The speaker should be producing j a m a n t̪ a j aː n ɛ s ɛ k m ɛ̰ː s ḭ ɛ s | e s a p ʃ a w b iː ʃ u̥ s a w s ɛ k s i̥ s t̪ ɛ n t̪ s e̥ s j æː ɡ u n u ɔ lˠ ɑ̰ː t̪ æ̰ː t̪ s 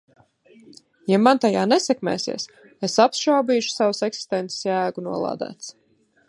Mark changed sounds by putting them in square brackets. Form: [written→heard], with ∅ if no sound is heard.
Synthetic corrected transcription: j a m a n t̪ a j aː n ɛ s ɛ k m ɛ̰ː s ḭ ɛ s | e s a p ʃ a w b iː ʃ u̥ s a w s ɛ k s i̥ s t̪ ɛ n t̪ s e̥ s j æː ɡ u n u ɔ lˠ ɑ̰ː [t̪→d̪] æ̰ː t̪ s